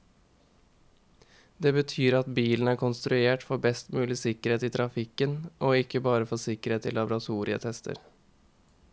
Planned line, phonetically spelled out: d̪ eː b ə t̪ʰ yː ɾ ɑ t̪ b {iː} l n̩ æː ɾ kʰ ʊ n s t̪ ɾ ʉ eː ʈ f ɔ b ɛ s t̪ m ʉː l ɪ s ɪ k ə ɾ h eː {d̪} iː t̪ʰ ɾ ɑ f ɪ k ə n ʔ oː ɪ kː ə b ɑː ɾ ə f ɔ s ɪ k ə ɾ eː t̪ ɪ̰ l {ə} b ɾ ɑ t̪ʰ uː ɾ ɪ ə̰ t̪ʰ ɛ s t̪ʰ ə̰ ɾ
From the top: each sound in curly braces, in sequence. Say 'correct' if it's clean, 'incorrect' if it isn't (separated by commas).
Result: correct, incorrect, incorrect